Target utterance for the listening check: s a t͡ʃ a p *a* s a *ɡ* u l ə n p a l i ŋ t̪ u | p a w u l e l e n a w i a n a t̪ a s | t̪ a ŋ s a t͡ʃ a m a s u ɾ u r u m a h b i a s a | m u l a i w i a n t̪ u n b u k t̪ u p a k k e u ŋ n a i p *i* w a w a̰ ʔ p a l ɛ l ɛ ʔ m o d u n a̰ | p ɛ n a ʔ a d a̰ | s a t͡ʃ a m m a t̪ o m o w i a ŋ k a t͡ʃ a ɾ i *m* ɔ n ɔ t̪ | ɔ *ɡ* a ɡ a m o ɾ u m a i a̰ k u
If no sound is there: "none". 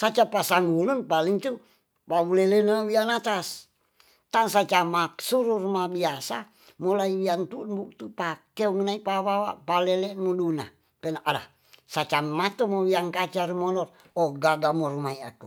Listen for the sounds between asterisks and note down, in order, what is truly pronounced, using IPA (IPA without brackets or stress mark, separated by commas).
a, ŋ, a, m, ɡ